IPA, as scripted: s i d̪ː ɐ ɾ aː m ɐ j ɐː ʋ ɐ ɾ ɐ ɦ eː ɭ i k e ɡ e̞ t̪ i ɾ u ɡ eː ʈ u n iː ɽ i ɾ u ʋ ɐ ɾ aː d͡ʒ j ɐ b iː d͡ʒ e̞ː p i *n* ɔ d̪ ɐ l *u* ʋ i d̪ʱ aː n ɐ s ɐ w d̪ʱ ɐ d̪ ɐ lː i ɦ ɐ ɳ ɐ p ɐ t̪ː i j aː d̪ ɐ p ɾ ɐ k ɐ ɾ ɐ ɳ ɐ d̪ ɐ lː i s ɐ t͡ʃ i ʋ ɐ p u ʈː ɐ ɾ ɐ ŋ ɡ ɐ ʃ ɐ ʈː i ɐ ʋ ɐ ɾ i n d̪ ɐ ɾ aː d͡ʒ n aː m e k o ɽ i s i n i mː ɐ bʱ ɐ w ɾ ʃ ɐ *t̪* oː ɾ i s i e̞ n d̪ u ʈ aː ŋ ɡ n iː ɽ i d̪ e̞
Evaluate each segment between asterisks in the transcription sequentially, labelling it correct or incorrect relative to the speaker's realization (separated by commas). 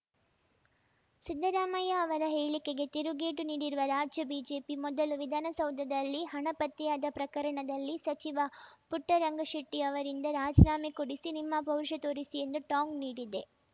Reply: incorrect, correct, correct